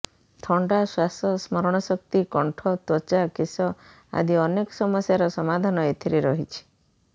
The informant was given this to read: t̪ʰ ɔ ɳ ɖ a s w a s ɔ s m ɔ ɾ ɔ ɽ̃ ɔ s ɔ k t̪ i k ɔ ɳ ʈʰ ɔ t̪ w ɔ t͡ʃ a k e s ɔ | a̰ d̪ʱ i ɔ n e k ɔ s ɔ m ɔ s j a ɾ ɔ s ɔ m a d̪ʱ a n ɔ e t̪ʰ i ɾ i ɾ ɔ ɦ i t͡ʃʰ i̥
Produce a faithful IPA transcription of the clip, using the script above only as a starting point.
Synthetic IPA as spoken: t̪ʰ ɔ ɳ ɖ a s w a s ɔ s m ɔ ɾ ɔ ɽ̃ ɔ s ɔ k t̪ i k ɔ ɳ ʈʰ ɔ t̪ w ɔ t͡ʃ a k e s ɔ | a̰ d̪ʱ i ɔ n e k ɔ s ɔ m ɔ s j a ɾ ɔ s ɔ m a d̪ʱ a n ɔ e t̪ʰ i ɾ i ɾ ɔ ɦ i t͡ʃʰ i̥